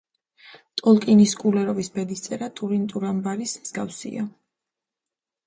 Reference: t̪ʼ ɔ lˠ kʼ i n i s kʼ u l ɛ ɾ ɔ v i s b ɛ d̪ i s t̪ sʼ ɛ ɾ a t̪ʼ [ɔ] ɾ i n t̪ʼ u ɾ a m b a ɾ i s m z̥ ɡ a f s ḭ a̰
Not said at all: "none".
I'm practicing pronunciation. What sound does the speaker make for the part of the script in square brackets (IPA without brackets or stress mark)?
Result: u